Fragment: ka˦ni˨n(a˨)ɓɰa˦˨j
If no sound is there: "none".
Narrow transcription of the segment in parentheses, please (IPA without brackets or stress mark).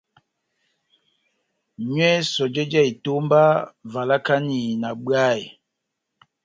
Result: a˨